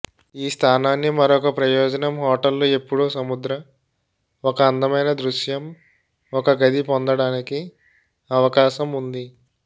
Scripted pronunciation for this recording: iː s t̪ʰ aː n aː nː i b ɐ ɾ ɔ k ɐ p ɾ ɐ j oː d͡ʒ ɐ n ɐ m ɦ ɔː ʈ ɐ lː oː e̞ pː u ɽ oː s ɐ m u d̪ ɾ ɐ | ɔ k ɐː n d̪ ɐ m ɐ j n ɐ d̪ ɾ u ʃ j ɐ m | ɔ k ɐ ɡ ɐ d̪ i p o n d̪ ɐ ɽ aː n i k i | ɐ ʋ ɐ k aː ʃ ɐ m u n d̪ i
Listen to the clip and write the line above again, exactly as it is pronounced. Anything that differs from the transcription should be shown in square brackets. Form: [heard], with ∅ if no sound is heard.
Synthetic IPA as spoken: iː s t̪ʰ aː n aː nː i [m] ɐ ɾ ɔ k ɐ p ɾ ɐ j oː d͡ʒ ɐ n ɐ m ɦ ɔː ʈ ɐ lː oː e̞ pː u ɽ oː s ɐ m u d̪ ɾ ɐ | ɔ k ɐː n d̪ ɐ m ɐ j n ɐ d̪ ɾ u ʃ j ɐ m | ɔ k ɐ ɡ ɐ d̪ i p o n d̪ ɐ ɽ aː n i k i | ɐ ʋ ɐ k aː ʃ ɐ m u n d̪ i

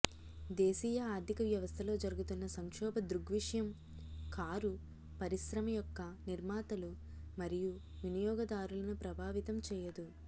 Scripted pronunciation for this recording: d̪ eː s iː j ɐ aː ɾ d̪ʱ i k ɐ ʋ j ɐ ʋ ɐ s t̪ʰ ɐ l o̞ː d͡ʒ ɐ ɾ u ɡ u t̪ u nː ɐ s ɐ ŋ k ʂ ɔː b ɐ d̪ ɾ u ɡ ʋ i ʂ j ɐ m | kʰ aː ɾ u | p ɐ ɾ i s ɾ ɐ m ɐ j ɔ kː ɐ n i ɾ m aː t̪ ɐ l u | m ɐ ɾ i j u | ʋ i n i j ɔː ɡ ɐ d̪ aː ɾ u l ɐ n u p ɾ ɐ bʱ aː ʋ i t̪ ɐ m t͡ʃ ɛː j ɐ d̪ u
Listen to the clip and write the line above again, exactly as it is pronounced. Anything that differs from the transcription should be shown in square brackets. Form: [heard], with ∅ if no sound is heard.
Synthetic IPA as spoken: d̪ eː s iː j ɐ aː ɾ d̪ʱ i k ɐ ʋ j ɐ ʋ ɐ s t̪ʰ ɐ l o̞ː d͡ʒ ɐ ɾ u ɡ u t̪ u nː ɐ s ɐ ŋ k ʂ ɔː b ɐ d̪ ɾ u ɡ ʋ i ʂ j ɐ m | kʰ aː ɾ u | p ɐ ɾ i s ɾ ɐ m ɐ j ɔ kː ɐ n i ɾ m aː t̪ ɐ l u | m ɐ ɾ i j u | ʋ i n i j ɔː ɡ ɐ d̪ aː ɾ u l ɐ n u p ɾ ɐ bʱ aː ʋ i t̪ ɐ m t͡ʃ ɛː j ɐ d̪ u

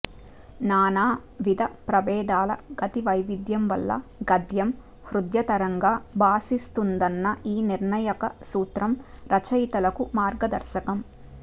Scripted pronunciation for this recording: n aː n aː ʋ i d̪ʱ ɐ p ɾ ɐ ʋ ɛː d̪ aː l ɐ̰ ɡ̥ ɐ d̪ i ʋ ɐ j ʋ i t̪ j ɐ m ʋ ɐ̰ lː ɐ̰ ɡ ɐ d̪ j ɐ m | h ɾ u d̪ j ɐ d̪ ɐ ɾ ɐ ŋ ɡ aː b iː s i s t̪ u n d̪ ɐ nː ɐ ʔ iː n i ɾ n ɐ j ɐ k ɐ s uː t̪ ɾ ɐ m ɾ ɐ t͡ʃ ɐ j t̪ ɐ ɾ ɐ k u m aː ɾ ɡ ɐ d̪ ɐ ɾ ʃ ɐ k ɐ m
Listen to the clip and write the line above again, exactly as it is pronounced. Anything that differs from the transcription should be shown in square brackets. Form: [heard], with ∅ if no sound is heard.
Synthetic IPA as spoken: n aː n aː ʋ i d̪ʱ ɐ p ɾ ɐ ʋ ɛː d̪ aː l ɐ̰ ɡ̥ ɐ [t̪] i ʋ ɐ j ʋ i [d̪] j ɐ m ʋ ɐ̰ lː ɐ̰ ɡ ɐ d̪ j ɐ m | h ɾ u d̪ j ɐ [t̪] ɐ ɾ ɐ ŋ ɡ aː b [aː] s i s t̪ u n d̪ ɐ nː ɐ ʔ iː n i ɾ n ɐ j ɐ k ɐ s uː t̪ ɾ ɐ m ɾ ɐ t͡ʃ ɐ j t̪ ɐ [l] ɐ k u m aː ɾ ɡ ɐ d̪ ɐ ɾ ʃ ɐ k ɐ m

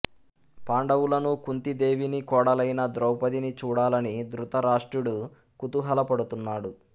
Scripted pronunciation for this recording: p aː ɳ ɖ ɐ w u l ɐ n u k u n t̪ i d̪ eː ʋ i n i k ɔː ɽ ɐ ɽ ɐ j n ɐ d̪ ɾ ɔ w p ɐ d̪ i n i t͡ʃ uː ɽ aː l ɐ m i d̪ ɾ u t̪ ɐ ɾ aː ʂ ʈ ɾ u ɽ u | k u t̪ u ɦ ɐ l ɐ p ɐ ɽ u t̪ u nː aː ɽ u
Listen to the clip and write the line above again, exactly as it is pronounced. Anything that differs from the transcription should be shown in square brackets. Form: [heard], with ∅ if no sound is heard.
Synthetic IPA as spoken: p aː ɳ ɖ ɐ w u l ɐ n u k u n t̪ i d̪ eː ʋ i n i k ɔː ɽ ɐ [l] ɐ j n ɐ d̪ ɾ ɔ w p ɐ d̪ i n i t͡ʃ uː ɽ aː l ɐ [n] i d̪ ɾ u t̪ ɐ ɾ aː ʂ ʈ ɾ u ɽ u | k u t̪ u ɦ ɐ l ɐ p ɐ ɽ u t̪ u nː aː ɽ u

